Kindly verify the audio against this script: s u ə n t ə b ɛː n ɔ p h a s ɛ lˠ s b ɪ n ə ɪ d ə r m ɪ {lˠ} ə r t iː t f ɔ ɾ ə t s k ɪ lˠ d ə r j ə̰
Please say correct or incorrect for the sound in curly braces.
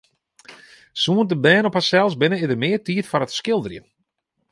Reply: incorrect